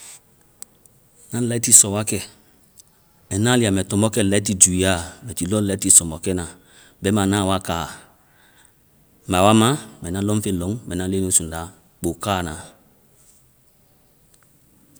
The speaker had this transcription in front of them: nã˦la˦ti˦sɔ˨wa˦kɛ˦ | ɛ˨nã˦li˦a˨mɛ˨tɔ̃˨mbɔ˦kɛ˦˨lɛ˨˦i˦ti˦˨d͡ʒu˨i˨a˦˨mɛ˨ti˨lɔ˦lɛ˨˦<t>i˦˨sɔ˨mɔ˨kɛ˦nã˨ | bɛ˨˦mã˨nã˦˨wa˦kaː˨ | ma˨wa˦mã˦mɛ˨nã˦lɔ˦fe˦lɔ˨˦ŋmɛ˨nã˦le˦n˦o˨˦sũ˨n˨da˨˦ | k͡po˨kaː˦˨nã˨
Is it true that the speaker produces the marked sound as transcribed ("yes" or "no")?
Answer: yes